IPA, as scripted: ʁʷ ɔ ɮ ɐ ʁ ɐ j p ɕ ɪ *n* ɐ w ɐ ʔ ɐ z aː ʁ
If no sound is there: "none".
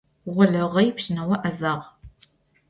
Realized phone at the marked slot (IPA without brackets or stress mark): n